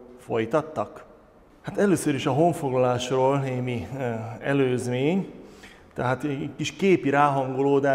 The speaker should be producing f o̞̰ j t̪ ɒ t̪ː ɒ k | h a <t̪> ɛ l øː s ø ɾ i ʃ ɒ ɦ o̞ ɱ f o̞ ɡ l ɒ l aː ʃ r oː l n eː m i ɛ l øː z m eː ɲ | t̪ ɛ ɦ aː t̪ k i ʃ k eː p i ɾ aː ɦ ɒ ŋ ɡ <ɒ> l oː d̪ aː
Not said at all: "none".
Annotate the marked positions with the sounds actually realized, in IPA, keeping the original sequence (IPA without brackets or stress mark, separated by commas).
t̪, o